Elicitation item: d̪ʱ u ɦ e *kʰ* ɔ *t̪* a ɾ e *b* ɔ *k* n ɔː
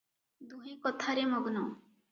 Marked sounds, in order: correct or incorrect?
incorrect: k, incorrect: t̪ʰ, incorrect: m, incorrect: ɡ

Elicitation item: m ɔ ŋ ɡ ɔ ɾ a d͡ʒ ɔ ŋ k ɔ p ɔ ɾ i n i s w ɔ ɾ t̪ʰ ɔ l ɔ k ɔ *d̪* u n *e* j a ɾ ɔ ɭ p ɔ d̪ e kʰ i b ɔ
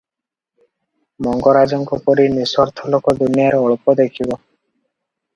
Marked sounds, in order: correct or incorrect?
correct, incorrect: i

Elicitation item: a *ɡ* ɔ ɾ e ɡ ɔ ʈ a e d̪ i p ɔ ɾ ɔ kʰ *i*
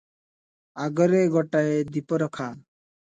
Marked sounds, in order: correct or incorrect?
correct, incorrect: a

